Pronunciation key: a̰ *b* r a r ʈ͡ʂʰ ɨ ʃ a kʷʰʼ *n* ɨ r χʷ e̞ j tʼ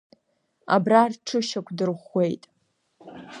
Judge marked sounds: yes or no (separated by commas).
yes, no